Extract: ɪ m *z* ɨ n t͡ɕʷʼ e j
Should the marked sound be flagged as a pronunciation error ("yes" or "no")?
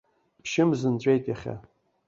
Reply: no